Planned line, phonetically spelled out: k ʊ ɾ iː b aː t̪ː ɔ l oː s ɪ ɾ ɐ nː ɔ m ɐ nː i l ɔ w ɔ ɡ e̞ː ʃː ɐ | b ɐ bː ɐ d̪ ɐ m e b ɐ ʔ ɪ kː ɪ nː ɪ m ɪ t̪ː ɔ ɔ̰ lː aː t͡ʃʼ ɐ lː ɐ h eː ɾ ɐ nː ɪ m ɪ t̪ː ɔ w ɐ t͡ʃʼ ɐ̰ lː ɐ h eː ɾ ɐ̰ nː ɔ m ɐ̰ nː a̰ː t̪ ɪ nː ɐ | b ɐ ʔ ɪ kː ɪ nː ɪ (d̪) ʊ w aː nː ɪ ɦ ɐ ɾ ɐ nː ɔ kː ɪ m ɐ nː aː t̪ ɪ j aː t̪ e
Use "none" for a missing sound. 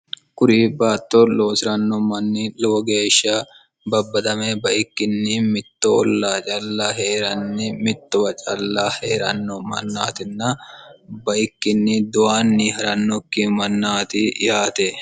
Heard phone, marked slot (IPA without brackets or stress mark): d̪